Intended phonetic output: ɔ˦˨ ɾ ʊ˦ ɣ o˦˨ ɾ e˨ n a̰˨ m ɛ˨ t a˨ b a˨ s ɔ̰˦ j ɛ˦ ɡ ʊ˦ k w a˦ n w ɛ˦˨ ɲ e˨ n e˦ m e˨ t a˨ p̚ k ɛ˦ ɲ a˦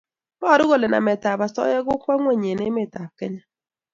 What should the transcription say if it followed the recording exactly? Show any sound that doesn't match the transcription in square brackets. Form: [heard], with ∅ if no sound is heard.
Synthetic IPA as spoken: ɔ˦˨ ɾ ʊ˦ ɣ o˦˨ [l] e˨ n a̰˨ m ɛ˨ t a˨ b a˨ s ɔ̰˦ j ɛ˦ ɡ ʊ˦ k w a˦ [ŋ] w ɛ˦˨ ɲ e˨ n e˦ m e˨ t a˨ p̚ k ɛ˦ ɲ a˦